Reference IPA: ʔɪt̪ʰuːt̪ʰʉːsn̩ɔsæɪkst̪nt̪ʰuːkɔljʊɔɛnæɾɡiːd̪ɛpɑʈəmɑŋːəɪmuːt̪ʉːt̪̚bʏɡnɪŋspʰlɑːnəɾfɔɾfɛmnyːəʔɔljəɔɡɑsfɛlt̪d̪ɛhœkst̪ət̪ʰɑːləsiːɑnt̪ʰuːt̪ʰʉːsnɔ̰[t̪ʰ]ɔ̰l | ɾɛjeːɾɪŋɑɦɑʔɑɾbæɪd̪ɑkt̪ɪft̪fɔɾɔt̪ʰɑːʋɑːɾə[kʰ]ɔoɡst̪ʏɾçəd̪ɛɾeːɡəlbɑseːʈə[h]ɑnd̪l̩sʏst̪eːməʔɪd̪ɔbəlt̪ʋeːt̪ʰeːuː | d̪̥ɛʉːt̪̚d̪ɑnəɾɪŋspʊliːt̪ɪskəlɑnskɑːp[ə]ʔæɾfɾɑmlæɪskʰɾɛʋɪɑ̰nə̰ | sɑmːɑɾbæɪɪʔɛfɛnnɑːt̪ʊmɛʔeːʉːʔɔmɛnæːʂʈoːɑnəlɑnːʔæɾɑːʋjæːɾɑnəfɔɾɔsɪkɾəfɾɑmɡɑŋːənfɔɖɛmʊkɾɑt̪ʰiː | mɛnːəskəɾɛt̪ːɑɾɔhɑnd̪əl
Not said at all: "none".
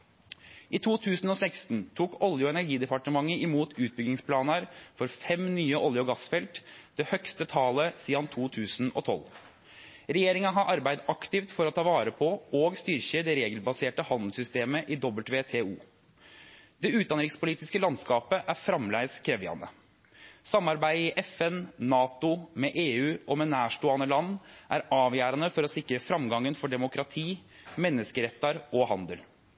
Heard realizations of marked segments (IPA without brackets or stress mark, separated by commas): t̪ʰ, pʰ, h, ə